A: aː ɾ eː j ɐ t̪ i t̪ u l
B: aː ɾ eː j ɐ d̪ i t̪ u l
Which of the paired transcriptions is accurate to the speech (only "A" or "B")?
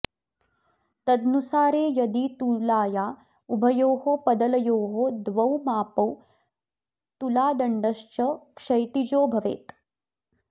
B